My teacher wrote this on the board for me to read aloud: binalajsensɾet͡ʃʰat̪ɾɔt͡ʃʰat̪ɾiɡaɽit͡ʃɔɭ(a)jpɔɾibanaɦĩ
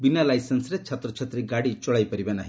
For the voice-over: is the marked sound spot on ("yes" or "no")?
yes